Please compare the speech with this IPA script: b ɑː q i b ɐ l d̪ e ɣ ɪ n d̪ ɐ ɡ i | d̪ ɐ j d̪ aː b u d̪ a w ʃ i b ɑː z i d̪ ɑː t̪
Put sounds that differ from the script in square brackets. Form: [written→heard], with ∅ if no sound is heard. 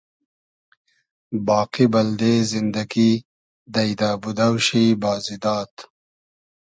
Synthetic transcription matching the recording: b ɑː q i b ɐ l d̪ e [ɣ→z] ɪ n d̪ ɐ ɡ i | d̪ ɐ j d̪ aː b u d̪ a w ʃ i b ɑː z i d̪ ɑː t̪